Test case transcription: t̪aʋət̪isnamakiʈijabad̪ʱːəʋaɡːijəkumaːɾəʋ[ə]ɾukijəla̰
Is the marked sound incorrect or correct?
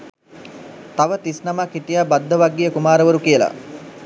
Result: correct